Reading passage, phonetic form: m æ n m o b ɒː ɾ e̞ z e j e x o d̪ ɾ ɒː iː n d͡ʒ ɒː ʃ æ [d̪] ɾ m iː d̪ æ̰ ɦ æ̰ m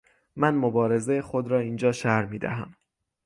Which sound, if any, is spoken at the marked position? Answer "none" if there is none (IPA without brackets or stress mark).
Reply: none